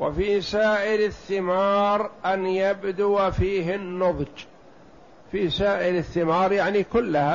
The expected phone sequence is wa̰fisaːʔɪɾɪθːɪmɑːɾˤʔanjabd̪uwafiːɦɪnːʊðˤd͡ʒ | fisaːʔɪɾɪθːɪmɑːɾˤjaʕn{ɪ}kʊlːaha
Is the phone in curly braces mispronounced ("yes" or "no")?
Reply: yes